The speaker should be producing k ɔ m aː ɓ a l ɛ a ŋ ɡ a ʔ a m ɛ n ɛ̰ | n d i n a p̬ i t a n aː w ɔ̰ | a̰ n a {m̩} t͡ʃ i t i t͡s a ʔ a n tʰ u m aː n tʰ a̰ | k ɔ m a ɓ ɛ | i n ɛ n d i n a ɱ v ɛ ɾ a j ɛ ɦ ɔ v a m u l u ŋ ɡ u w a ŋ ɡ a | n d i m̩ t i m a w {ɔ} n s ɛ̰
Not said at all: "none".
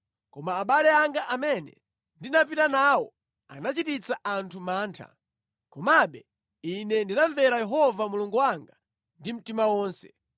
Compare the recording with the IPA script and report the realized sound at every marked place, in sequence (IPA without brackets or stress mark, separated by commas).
none, ɔː